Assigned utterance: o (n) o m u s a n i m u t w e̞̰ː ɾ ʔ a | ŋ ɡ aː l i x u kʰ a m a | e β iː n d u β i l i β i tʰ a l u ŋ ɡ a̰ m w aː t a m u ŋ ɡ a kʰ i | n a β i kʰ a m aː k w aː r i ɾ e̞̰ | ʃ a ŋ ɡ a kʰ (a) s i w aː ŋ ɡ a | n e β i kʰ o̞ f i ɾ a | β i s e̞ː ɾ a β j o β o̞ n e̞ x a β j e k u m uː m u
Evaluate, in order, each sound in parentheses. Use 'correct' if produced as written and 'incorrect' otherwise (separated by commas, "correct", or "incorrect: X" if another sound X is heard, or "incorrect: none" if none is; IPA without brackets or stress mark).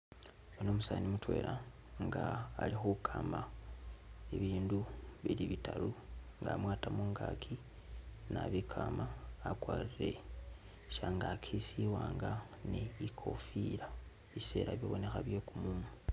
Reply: correct, incorrect: i